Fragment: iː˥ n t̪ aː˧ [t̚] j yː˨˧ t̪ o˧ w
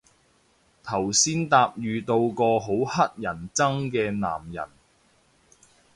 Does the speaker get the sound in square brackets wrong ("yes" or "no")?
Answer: yes